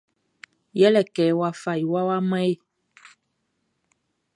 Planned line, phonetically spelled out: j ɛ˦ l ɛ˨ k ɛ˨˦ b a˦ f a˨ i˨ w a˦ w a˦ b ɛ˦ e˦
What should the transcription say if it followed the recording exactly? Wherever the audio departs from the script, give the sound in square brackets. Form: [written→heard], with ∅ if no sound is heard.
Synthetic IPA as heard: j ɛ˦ l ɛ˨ k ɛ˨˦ [b→w] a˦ f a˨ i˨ w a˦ w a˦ [b→m] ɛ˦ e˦